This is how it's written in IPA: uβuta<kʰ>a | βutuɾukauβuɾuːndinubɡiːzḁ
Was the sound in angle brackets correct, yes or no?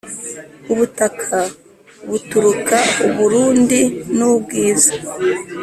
yes